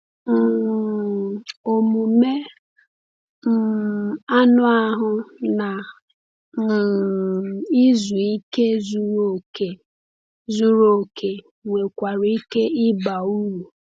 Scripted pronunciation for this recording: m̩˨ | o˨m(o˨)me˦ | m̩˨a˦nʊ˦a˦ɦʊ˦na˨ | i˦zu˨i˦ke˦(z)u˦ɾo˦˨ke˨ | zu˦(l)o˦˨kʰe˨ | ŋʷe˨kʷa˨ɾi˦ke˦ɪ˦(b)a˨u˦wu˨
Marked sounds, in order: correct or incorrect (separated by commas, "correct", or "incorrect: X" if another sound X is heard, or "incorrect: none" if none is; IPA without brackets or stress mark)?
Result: incorrect: u˨, correct, incorrect: ɾ, correct